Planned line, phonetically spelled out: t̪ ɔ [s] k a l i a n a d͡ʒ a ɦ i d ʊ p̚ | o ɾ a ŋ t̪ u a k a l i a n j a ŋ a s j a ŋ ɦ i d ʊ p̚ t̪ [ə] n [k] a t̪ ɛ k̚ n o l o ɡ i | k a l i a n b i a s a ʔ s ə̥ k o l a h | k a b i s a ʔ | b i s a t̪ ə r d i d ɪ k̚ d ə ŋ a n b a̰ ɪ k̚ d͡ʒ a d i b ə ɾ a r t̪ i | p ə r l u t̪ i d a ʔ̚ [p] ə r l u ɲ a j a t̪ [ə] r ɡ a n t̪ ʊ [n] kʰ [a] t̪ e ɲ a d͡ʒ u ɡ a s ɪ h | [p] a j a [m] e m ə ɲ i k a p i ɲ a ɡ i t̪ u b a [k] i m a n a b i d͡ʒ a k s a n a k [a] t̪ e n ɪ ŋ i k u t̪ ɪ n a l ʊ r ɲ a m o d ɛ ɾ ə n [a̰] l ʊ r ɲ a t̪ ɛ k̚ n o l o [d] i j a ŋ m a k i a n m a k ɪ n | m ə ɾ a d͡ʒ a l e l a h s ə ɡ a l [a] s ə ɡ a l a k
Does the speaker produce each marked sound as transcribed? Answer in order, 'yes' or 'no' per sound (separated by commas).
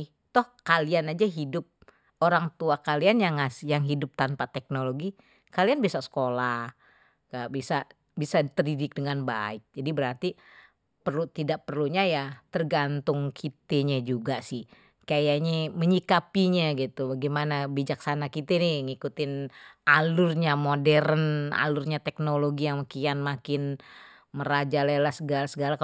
no, no, no, yes, yes, no, no, no, no, no, no, yes, no, yes